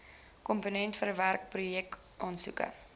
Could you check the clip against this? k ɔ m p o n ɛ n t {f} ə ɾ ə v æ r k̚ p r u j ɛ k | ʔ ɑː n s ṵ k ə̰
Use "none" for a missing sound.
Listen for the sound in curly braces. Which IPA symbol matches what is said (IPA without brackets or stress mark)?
f